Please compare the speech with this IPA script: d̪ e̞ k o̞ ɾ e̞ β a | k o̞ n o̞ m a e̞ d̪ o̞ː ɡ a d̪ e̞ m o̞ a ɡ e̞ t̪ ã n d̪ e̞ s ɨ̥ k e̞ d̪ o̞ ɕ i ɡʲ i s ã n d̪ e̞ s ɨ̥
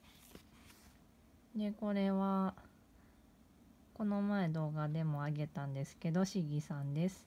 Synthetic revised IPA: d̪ e̞ k o̞ ɾ e̞ β a | k o̞ n o̞ m a e̞ d̪ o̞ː ɡ a d̪ e̞ m o̞ a ɡ e̞ t̪ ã n d̪ e̞ s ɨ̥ k e̞ d̪ o̞ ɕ i ɡʲ i s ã n d̪ e̞ s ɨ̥